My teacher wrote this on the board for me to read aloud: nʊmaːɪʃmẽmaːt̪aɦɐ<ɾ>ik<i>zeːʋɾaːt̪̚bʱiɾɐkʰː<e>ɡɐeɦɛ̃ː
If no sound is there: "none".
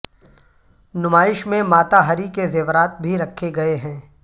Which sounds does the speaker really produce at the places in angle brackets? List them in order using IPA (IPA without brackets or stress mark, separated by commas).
ɾ, e, e